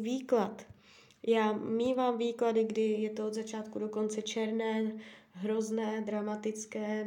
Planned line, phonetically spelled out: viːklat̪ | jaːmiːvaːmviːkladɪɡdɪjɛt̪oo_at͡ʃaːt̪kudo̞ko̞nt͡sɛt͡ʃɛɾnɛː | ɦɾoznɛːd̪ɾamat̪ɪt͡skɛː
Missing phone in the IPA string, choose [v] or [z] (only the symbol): z